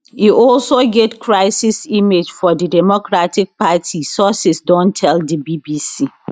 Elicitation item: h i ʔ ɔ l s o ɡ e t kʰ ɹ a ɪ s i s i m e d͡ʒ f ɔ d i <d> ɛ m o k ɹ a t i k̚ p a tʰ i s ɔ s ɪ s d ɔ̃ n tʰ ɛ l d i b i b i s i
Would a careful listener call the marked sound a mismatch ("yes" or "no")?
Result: no